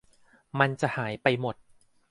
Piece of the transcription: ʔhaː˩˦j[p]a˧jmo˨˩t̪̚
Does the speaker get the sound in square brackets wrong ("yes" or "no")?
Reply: no